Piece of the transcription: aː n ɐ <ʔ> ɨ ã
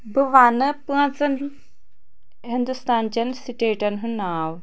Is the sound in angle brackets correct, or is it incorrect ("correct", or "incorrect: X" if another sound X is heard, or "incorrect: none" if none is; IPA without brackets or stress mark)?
incorrect: p